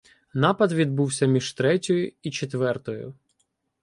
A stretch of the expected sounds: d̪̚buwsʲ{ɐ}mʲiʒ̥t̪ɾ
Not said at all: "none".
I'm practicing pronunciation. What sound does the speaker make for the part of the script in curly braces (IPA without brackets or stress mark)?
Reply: ɐ